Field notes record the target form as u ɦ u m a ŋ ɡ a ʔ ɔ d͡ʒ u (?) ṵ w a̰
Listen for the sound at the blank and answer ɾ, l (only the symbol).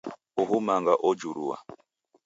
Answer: ɾ